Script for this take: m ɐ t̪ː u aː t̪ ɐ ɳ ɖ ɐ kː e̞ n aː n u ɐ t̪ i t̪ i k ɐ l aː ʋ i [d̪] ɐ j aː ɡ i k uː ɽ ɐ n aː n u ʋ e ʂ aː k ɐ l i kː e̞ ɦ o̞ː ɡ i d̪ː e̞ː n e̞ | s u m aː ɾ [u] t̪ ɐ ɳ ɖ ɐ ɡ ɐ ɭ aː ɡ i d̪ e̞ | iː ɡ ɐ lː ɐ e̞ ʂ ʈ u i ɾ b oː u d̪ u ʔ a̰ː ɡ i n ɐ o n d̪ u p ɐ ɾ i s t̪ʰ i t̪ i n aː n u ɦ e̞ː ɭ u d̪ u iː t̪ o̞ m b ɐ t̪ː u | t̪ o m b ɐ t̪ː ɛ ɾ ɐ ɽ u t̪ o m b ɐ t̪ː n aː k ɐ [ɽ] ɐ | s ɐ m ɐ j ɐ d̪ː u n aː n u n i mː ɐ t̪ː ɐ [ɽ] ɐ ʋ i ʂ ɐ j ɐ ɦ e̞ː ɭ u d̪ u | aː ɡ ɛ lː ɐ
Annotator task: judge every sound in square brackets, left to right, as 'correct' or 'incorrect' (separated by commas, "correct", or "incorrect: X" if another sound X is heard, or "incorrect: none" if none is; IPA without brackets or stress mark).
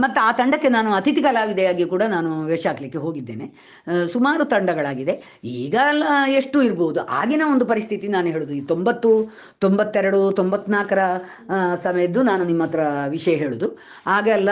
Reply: correct, correct, incorrect: ɾ, incorrect: ɾ